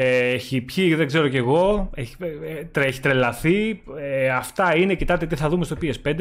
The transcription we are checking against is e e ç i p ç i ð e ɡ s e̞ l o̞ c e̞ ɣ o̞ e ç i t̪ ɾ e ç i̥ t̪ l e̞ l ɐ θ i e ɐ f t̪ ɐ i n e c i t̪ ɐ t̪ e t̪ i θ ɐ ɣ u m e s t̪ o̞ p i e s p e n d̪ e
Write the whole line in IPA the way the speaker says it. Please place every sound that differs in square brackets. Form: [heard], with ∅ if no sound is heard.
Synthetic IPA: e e ç i p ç i ð e ɡ [z] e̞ [ɾ] o̞ c e̞ ɣ o̞ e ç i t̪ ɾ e ç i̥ t̪ [ɾ] e̞ l ɐ θ i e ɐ f t̪ ɐ i n e c i t̪ ɐ t̪ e t̪ i θ ɐ [ð] u m e s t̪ o̞ p i e s p e n d̪ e